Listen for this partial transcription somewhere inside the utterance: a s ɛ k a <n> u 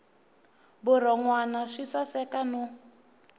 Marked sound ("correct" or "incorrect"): correct